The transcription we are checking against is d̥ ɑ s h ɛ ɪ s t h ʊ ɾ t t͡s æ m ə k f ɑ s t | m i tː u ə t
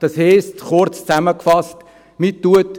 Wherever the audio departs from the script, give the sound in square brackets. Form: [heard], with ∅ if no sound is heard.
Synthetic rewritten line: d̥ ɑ s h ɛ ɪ s t [χ] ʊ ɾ [t͡s] t͡s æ m ə k f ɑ s t | m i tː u ə t